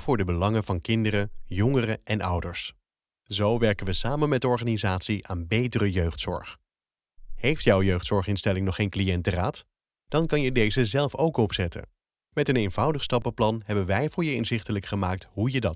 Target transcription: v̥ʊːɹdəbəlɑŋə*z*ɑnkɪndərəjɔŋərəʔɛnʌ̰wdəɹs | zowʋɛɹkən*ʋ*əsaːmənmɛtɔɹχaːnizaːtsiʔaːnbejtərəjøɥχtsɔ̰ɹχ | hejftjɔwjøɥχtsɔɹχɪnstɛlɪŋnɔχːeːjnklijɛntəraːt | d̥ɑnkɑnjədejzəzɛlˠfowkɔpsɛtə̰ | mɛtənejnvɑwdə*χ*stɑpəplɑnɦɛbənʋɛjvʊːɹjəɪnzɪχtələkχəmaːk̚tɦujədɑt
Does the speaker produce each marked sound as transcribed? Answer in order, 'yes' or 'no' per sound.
no, yes, yes

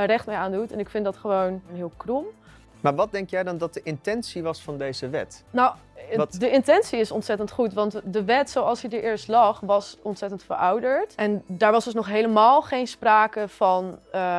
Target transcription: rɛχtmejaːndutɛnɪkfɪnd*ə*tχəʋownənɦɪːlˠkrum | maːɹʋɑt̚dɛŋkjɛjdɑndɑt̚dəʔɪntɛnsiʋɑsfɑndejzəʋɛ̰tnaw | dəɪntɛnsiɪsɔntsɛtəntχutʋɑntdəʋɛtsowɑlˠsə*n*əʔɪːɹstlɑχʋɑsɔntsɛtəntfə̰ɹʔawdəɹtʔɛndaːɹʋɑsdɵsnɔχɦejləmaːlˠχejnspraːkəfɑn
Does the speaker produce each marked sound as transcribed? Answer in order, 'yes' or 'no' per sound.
no, no

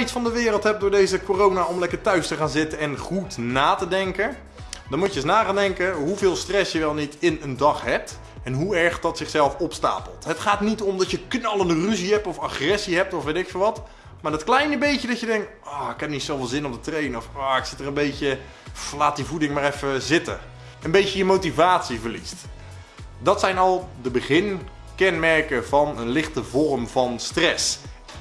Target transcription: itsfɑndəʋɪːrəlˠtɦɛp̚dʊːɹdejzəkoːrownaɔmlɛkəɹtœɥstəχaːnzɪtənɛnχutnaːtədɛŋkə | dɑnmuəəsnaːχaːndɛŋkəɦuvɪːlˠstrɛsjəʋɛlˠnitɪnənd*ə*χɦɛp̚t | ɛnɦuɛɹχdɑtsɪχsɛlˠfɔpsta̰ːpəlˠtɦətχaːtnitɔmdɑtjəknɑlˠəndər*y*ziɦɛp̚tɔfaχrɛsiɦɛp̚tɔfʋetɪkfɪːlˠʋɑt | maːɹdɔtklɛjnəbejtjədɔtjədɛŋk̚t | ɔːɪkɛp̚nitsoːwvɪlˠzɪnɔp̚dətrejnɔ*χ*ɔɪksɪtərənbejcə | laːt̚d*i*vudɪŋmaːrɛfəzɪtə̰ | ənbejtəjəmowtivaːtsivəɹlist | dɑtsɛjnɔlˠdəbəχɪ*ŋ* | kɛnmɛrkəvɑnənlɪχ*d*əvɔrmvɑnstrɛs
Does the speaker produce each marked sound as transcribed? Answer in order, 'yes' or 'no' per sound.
no, yes, no, yes, no, no

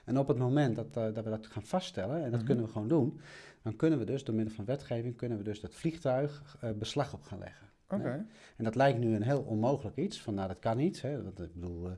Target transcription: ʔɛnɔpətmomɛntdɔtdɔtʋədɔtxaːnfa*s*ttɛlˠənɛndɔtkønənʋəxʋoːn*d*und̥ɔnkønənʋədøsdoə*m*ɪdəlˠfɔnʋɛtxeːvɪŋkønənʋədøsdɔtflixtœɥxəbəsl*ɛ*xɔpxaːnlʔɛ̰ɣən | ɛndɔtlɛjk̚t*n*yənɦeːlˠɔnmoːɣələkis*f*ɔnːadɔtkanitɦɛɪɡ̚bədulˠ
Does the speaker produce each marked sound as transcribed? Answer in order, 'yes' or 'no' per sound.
yes, yes, yes, no, yes, yes

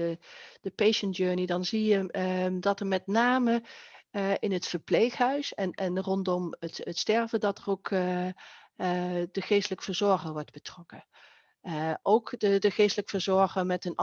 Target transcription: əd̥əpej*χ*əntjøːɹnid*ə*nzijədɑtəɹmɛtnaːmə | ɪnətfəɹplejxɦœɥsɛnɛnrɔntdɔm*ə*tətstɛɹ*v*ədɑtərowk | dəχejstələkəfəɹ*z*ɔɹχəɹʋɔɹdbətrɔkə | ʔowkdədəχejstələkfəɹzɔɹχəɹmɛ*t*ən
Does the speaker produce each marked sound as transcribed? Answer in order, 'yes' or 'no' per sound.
no, no, yes, yes, yes, yes

